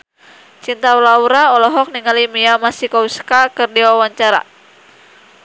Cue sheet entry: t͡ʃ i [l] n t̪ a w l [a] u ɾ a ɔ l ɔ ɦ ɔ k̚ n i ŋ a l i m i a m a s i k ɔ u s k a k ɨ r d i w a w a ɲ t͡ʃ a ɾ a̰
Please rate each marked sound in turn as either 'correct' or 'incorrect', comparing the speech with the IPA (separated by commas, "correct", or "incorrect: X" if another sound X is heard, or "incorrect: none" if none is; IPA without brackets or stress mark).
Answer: incorrect: none, correct